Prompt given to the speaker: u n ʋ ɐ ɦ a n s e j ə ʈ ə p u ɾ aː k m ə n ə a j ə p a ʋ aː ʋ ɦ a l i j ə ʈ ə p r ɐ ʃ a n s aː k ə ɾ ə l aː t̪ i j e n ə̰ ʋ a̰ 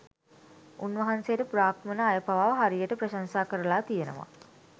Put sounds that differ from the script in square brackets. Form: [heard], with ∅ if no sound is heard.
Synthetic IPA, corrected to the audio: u n ʋ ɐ ɦ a n s e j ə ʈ ə p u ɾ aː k m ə n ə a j ə p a ʋ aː ʋ ɦ a [ɾ] i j ə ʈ ə p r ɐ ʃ a n s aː k ə ɾ ə l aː t̪ i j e n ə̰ ʋ a̰